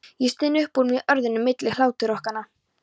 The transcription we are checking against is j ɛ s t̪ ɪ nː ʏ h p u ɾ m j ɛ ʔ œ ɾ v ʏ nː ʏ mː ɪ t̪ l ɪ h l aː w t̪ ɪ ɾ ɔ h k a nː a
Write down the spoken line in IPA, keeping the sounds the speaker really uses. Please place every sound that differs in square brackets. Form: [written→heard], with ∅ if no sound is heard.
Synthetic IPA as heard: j ɛ s t̪ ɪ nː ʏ h p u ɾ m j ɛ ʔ œ ɾ [v→ð] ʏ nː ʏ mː ɪ t̪ l ɪ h l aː w t̪ ɪ ɾ ɔ h k a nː a